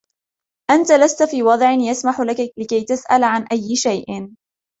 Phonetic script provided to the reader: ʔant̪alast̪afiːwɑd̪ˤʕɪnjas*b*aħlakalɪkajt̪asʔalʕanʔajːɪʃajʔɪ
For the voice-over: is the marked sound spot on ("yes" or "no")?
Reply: no